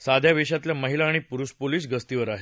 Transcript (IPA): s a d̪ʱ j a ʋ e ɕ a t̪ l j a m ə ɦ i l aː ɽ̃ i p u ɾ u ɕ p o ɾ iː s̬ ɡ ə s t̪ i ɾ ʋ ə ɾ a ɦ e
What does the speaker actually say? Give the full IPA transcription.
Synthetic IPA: s a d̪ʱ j a ʋ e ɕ a t̪ l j a m ə ɦ i l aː ɽ̃ i p u ɾ u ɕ p o l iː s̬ ɡ ə s t̪ i ʋ ə ɾ a ɦ e